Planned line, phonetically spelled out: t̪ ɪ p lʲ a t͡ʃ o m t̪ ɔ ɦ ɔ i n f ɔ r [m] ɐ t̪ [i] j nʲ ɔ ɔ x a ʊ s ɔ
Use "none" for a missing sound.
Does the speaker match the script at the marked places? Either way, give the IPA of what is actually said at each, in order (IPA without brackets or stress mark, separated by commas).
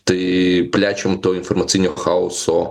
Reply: m, i